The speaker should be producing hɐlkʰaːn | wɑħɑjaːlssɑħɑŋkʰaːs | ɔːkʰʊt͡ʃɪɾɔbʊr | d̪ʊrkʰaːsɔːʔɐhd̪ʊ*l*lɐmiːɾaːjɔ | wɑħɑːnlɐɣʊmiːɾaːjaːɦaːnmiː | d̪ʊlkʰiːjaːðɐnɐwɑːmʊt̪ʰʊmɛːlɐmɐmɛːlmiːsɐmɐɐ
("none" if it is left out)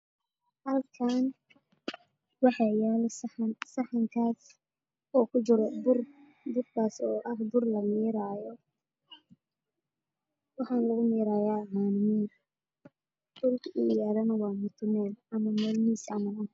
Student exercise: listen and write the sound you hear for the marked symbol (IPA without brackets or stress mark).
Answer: r